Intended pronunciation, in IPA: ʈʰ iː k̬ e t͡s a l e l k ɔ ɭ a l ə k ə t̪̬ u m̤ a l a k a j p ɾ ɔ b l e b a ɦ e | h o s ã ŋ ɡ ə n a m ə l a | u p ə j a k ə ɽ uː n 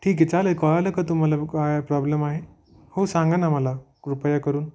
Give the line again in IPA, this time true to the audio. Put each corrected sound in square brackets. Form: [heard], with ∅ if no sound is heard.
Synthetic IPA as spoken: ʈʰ iː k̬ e t͡s a l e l k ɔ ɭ a l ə k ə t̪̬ u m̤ a l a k a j p ɾ ɔ b l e [m] a ɦ e | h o s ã ŋ ɡ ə n a m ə l a | u p ə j a k ə [ɾ] uː n